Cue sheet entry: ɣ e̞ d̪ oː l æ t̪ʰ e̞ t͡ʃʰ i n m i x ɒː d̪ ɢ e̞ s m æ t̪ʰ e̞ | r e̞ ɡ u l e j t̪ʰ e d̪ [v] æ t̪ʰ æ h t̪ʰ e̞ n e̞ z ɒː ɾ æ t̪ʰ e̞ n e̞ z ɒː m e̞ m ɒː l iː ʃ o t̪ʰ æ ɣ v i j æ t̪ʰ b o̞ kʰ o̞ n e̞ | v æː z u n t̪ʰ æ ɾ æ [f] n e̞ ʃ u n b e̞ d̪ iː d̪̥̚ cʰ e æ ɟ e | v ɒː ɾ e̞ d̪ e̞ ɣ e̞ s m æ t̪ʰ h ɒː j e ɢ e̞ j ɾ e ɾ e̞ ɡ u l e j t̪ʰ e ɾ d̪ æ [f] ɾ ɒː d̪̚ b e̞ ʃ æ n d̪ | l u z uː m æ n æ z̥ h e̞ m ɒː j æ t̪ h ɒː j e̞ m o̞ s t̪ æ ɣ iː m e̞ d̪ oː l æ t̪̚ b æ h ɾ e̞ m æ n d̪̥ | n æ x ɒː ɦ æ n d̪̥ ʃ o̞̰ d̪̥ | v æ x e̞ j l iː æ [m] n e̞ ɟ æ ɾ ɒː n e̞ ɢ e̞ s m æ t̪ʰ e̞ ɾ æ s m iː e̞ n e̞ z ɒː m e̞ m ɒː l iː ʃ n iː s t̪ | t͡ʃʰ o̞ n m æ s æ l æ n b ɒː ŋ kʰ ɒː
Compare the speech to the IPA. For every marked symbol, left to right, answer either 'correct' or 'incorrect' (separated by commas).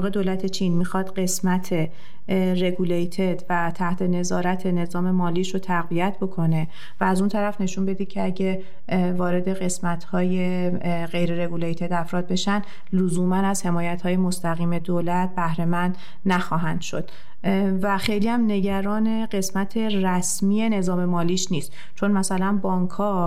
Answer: correct, correct, correct, correct